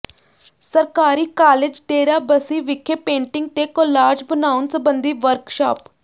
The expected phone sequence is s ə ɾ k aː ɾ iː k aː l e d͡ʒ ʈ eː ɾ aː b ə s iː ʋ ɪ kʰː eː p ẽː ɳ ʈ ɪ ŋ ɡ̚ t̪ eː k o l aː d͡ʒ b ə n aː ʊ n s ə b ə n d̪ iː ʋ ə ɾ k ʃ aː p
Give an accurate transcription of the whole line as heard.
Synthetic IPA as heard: s ə ɾ k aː ɾ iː k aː l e d͡ʒ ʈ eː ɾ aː b ə s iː ʋ ɪ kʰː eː p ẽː ɳ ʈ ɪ ŋ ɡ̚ t̪ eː k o l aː d͡ʒ b ə n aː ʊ n s ə b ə n d̪ iː ʋ ə ɾ k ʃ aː p